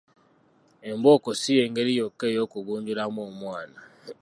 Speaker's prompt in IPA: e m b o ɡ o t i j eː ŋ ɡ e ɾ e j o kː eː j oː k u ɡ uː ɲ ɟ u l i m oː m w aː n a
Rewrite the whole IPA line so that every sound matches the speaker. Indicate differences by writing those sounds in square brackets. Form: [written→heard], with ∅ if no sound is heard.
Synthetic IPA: e m b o [ɡ→k] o [t→s] i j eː ŋ ɡ e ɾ [e→i] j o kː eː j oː k u ɡ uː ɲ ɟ u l [i→a] m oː m w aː n a